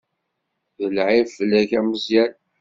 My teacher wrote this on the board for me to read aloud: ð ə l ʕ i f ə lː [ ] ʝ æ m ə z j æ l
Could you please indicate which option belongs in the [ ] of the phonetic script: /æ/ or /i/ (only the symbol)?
æ